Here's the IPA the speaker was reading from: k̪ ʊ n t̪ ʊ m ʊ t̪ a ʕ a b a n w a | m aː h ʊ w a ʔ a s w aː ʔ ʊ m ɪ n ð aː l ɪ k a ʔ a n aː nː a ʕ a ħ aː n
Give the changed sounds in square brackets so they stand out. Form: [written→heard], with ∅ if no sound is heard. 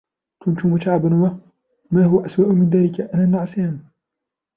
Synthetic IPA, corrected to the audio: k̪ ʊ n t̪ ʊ m ʊ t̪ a ʕ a b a n w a | m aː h ʊ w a ʔ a s w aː ʔ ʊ m ɪ n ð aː l ɪ k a ʔ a n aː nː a ʕ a [ħ→s] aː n